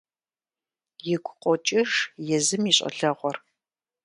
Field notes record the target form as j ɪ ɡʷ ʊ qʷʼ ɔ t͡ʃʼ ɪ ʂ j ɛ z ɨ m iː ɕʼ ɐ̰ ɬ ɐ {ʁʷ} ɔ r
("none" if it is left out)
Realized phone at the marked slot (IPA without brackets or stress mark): ʁʷ